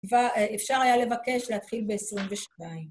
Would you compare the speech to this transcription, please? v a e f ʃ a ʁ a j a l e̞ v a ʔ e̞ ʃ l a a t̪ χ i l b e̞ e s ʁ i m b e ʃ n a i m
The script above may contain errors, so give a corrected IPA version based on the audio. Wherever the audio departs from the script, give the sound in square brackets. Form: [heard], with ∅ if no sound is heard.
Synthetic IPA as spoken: v a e f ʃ a ʁ a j a l e̞ v a [k] e̞ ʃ l [e] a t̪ χ i l b e̞ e s ʁ i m [v] e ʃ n a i m